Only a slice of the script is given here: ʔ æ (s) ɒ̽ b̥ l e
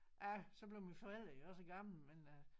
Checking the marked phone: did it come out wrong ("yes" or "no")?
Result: no